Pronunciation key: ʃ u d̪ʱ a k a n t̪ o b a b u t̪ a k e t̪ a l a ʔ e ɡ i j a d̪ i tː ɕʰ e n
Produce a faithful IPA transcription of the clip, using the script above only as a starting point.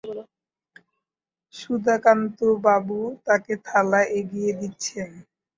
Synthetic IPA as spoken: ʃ u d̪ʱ a k a n t̪ o b a b u t̪ a k e t̪ʰ a l a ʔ e ɡ i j e d̪ i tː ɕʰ e n